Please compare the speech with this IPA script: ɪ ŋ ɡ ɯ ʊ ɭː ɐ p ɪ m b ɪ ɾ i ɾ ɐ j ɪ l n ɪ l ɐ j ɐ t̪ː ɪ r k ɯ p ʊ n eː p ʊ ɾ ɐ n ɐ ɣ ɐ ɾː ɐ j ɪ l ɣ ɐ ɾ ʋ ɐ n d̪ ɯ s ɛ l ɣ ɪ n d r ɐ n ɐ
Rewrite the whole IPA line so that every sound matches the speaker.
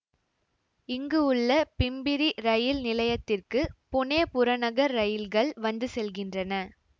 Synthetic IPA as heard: ɪ ŋ ɡ ɯ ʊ ɭː ɐ p ɪ m b ɪ ɾ i ɾ ɐ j ɪ l n ɪ l ɐ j ɐ t̪ː ɪ r k ɯ p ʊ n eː p ʊ ɾ ɐ n ɐ ɣ ɐ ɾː ɐ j ɪ l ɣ ɐ ɭ ʋ ɐ n d̪ ɯ s ɛ l ɣ ɪ n d r ɐ n ɐ